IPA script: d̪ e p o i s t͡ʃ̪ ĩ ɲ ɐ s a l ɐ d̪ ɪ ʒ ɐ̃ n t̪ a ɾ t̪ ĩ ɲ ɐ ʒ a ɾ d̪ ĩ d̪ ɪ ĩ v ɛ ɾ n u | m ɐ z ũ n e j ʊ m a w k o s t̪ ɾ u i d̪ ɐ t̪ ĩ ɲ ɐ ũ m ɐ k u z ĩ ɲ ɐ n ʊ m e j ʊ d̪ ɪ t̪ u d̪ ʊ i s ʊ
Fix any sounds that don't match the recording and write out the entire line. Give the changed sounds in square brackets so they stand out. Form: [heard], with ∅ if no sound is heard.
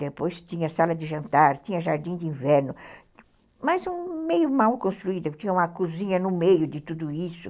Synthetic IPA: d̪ e p o [j] s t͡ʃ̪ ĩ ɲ ɐ s a l ɐ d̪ ɪ ʒ ɐ̃ n t̪ a ɾ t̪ ĩ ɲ ɐ ʒ a ɾ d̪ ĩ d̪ ɪ ĩ v ɛ ɾ n [ʊ] | m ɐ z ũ [m] e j ʊ m a w k [õ] s t̪ ɾ u i d̪ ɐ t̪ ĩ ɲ ɐ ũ m ɐ k u z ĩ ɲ ɐ n ʊ m e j ʊ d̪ ɪ t̪ u d̪ ʊ i s ʊ